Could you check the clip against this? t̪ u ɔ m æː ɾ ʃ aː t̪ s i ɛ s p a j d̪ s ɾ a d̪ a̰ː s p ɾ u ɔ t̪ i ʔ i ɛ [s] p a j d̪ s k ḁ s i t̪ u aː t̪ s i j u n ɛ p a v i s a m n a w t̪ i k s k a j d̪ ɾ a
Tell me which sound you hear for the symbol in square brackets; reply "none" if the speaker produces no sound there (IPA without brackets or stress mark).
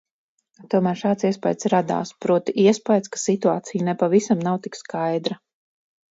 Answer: s